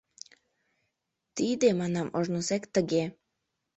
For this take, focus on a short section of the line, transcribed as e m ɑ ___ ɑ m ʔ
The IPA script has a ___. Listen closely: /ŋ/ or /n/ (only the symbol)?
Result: n